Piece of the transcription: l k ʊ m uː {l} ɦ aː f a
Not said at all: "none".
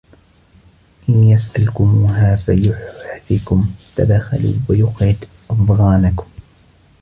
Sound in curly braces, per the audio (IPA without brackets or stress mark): none